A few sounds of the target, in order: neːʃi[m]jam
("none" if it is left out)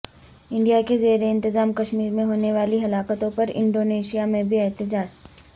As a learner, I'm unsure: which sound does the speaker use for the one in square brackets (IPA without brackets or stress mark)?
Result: none